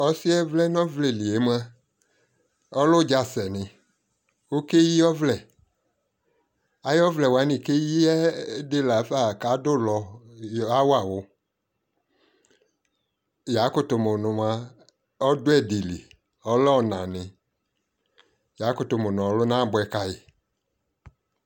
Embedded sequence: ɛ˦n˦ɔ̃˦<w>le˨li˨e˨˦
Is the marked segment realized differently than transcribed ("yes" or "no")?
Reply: yes